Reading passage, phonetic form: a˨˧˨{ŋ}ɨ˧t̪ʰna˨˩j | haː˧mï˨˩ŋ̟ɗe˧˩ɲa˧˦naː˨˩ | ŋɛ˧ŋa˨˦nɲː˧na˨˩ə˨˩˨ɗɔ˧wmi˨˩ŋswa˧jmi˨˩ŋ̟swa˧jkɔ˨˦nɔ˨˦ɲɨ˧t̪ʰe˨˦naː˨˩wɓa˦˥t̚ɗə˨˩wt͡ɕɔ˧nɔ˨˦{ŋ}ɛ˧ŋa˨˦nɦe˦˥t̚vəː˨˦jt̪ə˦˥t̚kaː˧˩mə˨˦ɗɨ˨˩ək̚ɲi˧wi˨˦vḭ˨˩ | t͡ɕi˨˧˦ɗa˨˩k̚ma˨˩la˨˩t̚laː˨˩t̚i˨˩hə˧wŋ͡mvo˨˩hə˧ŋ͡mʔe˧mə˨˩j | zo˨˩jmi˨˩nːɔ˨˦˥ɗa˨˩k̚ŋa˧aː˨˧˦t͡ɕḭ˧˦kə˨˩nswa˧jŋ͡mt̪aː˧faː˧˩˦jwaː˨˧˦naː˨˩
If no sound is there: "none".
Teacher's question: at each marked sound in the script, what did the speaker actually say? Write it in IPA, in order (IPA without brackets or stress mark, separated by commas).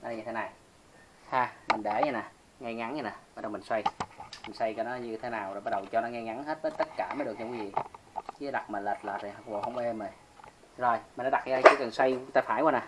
ɲ, ŋ